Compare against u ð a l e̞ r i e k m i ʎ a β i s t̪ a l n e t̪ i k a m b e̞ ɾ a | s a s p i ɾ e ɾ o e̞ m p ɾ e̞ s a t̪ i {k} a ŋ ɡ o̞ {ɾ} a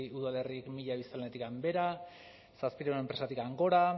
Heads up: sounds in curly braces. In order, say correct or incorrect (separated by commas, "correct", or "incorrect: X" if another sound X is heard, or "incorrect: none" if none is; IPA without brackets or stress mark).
correct, correct